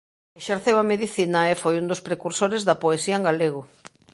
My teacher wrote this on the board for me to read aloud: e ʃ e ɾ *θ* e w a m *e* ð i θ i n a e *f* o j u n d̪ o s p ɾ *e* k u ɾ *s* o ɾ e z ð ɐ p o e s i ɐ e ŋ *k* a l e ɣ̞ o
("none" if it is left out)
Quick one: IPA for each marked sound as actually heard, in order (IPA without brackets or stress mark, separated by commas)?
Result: θ, e, f, e, s, ɡ